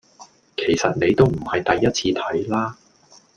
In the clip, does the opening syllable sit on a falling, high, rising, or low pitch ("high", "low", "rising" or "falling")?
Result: low